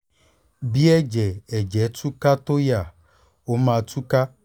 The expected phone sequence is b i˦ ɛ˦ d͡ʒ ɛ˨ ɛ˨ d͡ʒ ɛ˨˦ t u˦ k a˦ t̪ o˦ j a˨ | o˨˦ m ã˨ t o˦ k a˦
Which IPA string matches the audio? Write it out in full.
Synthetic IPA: b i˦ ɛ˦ d͡ʒ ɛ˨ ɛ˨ d͡ʒ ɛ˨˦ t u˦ k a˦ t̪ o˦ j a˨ | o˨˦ m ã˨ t u˦ k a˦